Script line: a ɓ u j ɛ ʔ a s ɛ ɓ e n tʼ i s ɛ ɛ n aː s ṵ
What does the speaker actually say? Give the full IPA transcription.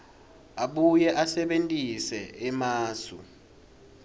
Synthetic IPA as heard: a ɓ u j ɛ ʔ a s ɛ ɓ e n tʼ i s ɛ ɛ m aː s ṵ